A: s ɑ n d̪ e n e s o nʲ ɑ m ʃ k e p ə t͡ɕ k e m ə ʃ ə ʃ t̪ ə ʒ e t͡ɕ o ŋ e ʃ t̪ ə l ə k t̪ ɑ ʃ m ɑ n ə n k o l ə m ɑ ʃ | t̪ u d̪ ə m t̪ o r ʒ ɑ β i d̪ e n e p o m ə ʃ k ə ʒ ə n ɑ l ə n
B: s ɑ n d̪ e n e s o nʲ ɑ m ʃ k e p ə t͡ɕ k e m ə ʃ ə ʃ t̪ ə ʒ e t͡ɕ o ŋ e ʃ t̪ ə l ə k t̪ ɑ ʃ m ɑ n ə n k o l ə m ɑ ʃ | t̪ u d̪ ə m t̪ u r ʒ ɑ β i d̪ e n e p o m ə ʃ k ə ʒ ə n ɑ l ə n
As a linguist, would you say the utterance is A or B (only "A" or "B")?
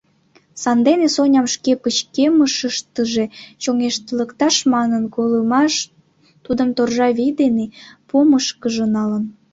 A